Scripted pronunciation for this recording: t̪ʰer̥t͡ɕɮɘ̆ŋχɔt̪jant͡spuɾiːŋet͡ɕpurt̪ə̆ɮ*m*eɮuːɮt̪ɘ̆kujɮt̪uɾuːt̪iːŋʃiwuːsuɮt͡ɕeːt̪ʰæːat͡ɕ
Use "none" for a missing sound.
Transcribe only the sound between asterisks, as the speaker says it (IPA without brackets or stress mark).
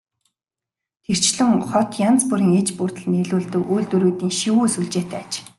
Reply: n